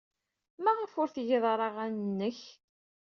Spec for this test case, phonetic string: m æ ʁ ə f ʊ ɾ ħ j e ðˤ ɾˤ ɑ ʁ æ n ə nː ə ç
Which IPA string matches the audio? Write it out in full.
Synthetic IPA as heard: m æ ʁ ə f ʊ ɾ θ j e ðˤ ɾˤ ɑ ʁ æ n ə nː ə ç